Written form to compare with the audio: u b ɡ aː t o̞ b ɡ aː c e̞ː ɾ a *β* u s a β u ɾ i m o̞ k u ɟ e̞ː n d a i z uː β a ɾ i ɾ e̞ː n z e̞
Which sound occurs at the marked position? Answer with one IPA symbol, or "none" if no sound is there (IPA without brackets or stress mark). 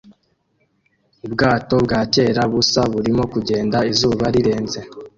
β